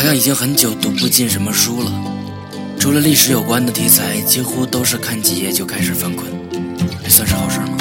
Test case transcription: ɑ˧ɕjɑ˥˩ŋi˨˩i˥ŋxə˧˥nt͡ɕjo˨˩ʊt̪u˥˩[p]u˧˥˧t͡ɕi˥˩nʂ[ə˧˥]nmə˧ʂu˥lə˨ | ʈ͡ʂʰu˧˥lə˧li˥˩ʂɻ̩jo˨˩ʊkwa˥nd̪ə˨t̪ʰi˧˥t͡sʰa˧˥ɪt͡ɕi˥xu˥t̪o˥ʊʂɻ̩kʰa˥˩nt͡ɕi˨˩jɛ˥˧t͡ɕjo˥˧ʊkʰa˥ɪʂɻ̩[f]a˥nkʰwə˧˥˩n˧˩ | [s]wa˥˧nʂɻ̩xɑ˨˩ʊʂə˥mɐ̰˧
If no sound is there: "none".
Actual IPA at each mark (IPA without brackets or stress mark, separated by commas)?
p, ə˧˥, f, s